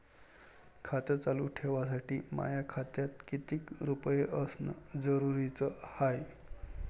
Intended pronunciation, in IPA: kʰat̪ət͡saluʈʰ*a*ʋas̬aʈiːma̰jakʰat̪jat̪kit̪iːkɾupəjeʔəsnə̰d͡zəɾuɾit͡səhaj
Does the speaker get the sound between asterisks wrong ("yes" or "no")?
yes